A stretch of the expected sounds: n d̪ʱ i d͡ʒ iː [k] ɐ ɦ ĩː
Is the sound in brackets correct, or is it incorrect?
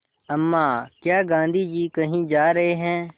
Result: correct